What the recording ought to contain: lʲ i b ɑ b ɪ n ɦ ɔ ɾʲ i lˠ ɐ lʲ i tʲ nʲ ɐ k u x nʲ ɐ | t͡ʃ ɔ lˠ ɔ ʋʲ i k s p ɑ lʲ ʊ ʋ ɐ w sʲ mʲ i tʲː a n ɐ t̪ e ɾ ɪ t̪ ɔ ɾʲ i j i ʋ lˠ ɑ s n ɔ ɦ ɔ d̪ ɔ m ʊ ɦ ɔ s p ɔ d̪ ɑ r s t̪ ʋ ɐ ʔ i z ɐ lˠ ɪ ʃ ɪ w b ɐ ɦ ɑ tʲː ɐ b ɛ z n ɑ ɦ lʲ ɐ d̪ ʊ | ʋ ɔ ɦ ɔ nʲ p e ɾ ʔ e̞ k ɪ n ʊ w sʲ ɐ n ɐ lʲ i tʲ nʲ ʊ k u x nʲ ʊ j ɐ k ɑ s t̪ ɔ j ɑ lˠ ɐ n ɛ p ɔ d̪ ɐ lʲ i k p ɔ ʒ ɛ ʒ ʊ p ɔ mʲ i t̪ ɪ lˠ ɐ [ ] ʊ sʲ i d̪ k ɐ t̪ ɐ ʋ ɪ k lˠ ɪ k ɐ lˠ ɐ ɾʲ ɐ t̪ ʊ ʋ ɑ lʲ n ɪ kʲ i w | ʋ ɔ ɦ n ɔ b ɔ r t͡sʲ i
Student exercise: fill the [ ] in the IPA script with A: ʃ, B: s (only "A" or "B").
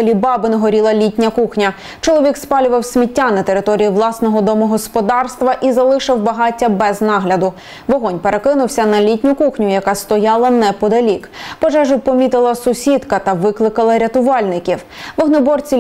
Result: B